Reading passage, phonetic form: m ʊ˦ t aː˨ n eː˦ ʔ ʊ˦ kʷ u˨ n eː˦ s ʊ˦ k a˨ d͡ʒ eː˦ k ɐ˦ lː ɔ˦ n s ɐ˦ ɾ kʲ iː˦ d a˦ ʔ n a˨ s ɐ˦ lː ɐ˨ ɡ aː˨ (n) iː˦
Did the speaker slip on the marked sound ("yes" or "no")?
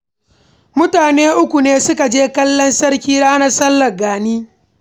no